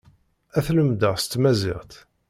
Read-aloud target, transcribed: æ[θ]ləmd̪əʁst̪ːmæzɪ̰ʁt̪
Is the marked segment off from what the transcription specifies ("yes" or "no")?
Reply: no